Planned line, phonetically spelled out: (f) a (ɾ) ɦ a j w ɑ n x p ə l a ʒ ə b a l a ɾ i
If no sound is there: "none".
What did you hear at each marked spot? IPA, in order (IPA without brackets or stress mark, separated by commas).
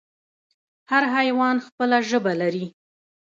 h, ɾ